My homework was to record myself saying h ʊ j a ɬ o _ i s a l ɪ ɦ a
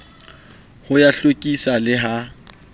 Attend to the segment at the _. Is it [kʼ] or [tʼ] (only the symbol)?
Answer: kʼ